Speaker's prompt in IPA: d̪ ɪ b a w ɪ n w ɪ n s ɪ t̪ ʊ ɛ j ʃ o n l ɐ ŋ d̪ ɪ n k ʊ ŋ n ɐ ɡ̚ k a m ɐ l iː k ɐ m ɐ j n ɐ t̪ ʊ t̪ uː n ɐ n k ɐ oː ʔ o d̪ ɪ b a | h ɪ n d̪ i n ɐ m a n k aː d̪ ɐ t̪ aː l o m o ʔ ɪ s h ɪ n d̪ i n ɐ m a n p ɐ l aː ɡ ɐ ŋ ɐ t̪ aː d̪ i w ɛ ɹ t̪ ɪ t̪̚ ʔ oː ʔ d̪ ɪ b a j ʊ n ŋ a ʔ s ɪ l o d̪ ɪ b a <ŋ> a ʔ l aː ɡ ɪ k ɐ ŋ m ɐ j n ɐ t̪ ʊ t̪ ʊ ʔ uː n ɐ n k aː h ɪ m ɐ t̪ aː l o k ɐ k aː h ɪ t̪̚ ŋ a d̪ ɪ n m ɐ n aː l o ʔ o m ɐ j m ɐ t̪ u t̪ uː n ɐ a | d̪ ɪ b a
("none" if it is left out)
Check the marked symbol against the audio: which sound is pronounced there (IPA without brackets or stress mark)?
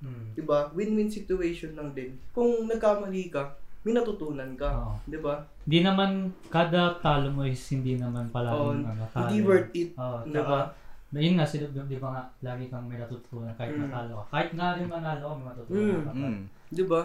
ŋ